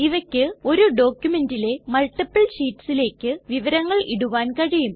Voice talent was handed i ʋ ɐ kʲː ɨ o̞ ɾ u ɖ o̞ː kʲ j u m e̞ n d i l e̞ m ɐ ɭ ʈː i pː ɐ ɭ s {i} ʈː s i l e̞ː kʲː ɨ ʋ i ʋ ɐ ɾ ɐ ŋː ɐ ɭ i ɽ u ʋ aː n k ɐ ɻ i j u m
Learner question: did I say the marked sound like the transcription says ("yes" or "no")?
no